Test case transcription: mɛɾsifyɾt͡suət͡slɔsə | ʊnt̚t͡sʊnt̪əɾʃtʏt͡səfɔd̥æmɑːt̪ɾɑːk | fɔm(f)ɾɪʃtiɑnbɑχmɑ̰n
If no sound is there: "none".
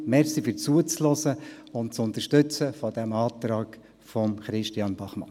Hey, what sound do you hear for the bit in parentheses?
χ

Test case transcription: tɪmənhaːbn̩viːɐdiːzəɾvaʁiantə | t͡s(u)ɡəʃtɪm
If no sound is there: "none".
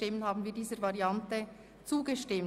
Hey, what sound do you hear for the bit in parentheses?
uː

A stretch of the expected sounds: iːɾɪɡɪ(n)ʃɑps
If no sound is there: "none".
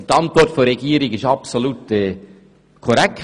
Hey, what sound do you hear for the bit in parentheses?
none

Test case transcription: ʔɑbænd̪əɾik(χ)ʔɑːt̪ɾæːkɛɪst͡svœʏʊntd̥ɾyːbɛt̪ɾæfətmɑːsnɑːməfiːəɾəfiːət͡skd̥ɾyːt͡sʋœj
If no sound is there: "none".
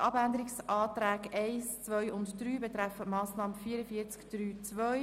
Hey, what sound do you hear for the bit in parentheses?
s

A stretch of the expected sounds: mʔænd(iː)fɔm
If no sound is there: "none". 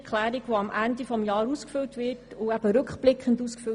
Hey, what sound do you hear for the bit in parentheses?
i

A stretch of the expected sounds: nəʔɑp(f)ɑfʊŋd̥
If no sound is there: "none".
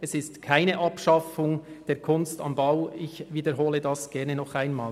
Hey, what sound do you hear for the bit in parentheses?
ʃ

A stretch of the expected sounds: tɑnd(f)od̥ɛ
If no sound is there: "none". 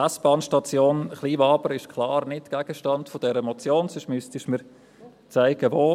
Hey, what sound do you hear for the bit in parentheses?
f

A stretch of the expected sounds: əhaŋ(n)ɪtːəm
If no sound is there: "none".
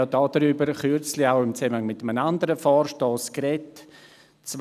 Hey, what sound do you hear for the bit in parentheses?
m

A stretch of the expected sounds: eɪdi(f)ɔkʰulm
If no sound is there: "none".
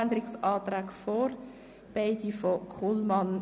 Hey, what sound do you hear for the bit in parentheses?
f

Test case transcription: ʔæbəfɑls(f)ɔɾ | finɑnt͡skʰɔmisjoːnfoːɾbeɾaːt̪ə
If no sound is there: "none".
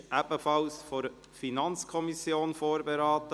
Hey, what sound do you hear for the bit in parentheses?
f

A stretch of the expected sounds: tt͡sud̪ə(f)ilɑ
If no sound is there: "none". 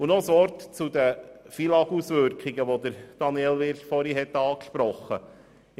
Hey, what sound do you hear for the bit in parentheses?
f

